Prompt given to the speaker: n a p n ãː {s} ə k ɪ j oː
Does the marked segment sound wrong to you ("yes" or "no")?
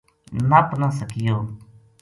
no